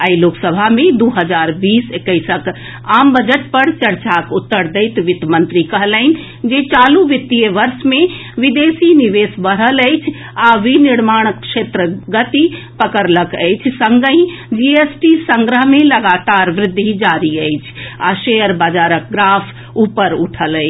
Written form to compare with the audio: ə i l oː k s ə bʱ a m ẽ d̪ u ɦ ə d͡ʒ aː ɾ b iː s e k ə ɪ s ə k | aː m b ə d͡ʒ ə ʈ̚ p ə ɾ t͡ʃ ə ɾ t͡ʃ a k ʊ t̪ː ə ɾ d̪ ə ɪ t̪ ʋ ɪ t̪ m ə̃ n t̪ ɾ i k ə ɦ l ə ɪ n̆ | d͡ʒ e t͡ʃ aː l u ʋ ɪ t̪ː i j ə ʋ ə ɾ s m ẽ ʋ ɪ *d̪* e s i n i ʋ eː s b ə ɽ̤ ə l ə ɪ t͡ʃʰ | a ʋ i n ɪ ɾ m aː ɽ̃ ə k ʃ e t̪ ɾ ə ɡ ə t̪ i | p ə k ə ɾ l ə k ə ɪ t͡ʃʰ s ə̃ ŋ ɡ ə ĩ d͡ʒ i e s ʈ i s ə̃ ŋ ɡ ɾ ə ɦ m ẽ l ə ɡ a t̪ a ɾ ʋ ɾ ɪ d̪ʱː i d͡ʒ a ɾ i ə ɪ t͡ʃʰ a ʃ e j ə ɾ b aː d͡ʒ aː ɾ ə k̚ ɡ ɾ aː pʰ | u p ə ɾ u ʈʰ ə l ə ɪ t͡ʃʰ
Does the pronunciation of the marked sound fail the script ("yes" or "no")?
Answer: no